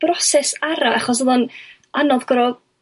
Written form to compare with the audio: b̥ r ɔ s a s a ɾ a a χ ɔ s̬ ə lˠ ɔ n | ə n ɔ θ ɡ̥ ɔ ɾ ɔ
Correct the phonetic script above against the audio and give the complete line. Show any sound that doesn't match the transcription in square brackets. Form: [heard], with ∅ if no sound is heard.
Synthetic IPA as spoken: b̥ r ɔ s [ɛ] s a ɾ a a χ ɔ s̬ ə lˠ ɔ n | [a] n ɔ [ð] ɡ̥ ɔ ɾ ɔ